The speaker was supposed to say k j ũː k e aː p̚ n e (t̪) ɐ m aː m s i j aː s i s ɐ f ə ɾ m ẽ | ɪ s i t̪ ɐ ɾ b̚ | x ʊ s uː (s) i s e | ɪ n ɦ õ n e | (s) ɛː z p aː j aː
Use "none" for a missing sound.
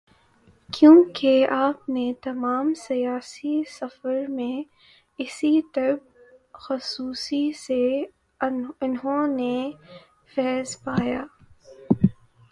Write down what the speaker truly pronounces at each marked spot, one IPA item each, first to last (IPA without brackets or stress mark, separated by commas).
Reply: t̪, s, f